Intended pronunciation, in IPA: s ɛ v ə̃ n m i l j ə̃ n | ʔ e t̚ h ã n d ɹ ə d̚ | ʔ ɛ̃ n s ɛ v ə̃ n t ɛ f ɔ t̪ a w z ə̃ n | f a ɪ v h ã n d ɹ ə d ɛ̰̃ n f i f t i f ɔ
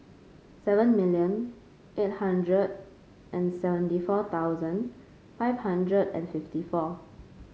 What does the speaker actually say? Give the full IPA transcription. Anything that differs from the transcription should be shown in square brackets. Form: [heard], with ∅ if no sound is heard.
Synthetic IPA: s ɛ v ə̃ n m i l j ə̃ n | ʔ e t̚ h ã n d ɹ ə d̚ | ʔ ɛ̃ n s ɛ v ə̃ n t [i] f ɔ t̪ a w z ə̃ n | f a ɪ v h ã n d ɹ ə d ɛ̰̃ n f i f t i f ɔ